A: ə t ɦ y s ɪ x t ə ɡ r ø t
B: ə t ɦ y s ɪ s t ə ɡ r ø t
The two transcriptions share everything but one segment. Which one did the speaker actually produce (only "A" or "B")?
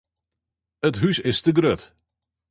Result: B